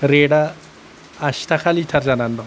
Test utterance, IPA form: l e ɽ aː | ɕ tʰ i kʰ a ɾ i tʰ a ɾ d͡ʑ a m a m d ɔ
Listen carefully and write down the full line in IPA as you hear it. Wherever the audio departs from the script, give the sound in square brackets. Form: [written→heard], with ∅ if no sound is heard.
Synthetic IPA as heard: [l→ɾ] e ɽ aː | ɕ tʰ [i→a] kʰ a [ɾ→l] i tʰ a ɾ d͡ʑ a [m→n] a [m→n] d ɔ